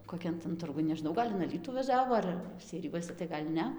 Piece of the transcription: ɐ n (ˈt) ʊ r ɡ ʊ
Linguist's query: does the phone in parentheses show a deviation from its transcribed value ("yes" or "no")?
no